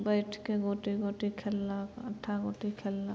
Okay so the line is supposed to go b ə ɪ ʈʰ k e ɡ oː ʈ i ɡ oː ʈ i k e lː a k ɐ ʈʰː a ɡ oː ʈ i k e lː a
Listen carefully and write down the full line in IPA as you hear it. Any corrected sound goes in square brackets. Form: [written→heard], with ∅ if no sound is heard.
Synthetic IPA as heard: b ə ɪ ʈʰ k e ɡ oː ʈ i ɡ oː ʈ i [k→kʰ] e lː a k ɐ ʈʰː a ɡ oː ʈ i [k→kʰ] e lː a